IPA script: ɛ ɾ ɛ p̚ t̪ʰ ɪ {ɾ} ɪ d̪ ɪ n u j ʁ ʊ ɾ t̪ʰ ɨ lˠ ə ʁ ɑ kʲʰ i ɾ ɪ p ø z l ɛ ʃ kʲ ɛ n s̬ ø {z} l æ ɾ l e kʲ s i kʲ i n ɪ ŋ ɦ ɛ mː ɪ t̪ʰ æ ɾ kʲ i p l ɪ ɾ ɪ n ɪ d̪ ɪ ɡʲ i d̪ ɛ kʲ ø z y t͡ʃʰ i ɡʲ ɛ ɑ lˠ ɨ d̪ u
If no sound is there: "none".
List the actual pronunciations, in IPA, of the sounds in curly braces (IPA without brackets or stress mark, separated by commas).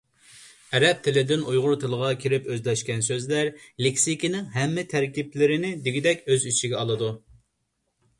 l, z